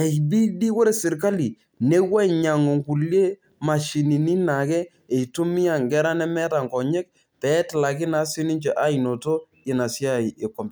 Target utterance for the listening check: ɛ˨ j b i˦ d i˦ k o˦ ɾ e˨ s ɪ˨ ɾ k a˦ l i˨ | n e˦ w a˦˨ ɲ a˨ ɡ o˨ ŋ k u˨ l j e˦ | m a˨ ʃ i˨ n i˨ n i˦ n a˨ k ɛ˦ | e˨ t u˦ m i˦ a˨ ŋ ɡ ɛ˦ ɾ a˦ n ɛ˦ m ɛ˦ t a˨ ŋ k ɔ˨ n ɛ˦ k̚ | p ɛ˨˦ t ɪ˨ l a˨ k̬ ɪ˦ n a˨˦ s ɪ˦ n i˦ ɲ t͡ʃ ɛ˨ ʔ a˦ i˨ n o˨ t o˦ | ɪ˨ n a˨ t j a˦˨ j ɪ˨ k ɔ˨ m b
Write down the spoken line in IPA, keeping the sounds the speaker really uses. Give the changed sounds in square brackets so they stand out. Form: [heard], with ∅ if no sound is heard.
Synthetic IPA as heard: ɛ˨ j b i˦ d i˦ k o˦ ɾ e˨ s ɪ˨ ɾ k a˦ l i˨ | n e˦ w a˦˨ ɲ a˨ [ŋ] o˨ ŋ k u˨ l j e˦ | m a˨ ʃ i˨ n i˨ n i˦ n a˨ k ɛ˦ | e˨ t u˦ m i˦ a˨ ŋ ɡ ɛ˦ ɾ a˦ n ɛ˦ m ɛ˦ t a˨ ŋ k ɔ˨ [ɲ] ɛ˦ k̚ | p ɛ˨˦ t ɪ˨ l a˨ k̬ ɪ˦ n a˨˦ s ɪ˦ n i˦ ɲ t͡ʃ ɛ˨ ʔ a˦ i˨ n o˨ t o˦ | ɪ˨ n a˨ [s] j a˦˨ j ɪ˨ k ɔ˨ m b

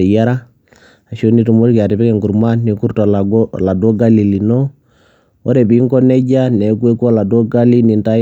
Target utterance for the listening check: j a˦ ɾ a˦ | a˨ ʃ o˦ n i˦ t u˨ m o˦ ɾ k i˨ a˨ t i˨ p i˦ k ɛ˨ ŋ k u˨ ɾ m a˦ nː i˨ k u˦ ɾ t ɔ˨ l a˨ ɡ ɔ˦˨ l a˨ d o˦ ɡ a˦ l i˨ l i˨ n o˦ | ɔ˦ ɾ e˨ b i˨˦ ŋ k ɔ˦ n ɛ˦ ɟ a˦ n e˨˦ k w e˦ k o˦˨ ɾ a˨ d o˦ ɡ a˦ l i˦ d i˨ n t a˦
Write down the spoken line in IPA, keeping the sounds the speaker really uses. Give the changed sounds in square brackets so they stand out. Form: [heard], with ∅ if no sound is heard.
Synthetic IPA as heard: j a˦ ɾ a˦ | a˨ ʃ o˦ n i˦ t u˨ m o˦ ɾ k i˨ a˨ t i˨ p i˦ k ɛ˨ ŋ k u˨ ɾ m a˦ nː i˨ k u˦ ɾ t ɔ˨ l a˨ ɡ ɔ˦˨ l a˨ d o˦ ɡ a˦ l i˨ l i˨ n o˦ | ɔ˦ ɾ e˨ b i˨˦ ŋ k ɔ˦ n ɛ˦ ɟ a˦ n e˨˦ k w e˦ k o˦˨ [l] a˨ d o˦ ɡ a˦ l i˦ [n] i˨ n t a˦

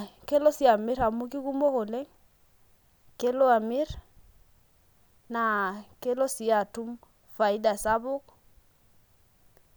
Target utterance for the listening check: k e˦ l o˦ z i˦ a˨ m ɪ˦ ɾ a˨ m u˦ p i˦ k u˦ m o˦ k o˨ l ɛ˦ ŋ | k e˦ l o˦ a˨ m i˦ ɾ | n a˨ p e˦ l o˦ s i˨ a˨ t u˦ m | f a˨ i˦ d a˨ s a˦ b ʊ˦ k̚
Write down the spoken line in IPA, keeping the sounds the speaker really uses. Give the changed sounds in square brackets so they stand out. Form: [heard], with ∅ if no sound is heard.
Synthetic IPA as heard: k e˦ l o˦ [s] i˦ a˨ m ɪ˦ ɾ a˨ m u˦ [k] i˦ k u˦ m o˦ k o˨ l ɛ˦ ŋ | k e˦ l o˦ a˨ m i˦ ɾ | n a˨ [k] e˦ l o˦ s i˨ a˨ t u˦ m | f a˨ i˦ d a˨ s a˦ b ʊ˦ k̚

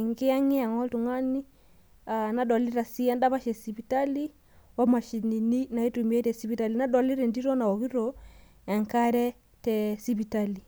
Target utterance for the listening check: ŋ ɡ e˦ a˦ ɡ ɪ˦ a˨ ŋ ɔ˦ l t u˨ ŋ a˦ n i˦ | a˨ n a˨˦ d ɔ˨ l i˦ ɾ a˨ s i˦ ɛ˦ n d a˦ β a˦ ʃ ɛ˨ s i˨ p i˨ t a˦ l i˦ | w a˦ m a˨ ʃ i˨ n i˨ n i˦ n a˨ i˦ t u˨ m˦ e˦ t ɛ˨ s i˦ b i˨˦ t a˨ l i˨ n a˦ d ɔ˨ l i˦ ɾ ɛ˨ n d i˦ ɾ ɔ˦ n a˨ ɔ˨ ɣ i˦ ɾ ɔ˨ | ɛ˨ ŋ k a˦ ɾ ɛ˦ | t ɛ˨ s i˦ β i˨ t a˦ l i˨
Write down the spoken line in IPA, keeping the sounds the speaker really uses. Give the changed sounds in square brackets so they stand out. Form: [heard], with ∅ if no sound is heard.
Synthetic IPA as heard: ŋ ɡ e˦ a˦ [ŋ] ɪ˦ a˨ ŋ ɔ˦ l t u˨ ŋ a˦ n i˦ | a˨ n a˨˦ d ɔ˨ l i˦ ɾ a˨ s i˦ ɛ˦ n d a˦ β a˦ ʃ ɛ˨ s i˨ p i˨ t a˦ l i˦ | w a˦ m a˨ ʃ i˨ n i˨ n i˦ n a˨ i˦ t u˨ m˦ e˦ t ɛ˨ s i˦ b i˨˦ t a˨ l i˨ n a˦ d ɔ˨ l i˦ ɾ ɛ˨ n d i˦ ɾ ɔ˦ n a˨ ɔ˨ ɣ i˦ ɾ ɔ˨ | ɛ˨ ŋ k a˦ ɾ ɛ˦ | t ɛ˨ s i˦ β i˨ t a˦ l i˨

